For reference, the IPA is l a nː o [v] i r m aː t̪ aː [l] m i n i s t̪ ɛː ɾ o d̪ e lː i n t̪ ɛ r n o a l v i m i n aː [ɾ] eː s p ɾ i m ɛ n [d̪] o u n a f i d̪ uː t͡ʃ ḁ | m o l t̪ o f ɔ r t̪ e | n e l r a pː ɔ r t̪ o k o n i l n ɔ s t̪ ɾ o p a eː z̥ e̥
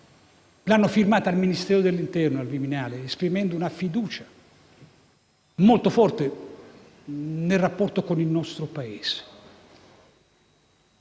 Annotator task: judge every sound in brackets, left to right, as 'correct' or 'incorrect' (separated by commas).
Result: incorrect, correct, incorrect, correct